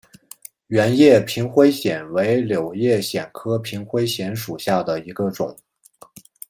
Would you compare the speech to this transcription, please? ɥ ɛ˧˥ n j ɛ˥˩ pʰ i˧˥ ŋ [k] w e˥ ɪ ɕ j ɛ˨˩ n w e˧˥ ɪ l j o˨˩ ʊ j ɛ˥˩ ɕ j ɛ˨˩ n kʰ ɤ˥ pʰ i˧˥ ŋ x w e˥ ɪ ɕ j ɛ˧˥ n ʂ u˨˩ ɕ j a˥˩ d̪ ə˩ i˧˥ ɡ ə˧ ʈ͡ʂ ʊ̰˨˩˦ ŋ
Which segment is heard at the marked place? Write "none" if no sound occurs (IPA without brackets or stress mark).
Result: x